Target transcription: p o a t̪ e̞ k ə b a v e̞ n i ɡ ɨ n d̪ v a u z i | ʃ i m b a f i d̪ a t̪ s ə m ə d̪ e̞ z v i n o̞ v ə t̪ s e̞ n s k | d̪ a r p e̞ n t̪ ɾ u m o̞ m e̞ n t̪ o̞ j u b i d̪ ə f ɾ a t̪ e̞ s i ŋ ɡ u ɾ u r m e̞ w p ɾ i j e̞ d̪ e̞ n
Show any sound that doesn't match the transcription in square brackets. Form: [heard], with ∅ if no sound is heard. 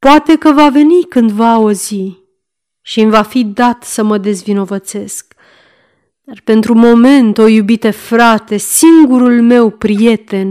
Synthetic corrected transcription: p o a t̪ e̞ k ə [v] a v e̞ n i [k] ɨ n d̪ v a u z i | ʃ i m [v] a f i d̪ a t̪ s ə m ə d̪ e̞ z v i n o̞ v ə t̪ s e̞ [∅] s k | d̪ a r p e̞ n t̪ ɾ u m o̞ m e̞ n t̪ o̞ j u b i [t̪] ə f ɾ a t̪ e̞ s i ŋ ɡ u ɾ u [l] m e̞ w p ɾ i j e̞ [t̪] e̞ n